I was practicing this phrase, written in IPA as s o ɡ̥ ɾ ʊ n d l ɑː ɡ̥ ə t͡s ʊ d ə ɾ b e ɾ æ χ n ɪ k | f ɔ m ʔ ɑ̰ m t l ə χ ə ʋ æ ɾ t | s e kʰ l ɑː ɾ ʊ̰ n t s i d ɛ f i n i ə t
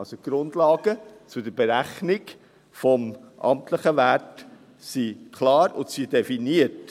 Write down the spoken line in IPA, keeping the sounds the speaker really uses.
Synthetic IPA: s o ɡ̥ ɾ ʊ n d l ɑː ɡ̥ ə t͡s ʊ d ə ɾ b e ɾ æ χ n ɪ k | f ɔ m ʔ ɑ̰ m t l ə χ ə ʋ æ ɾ t | s i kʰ l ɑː ɾ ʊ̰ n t s i d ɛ f i n i ə t